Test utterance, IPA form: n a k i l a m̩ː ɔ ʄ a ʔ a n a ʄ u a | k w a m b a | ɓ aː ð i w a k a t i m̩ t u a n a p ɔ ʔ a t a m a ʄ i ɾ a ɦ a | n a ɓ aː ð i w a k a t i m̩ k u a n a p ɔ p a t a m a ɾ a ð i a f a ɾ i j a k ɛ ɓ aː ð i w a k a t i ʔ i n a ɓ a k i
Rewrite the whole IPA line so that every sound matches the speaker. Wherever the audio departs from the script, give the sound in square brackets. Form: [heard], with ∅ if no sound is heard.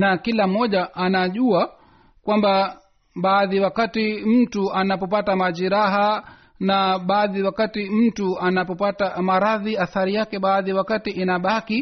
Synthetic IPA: n a k i l a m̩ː ɔ ʄ a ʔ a n a ʄ u a | k w a m b a | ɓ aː ð i w a k a t i m̩ t u a n a p ɔ [p] a t a m a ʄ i ɾ a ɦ a | n a ɓ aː ð i w a k a t i m̩ [t] u a n a p ɔ p a t a m a ɾ a ð i a [θ] a ɾ i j a k ɛ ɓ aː ð i w a k a t i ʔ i n a ɓ a k i